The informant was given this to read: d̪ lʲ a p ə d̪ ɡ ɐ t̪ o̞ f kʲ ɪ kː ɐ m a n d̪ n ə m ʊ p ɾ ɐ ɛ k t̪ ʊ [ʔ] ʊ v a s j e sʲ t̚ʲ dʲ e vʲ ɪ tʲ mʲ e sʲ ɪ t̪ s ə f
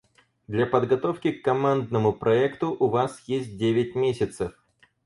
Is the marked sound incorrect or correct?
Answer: correct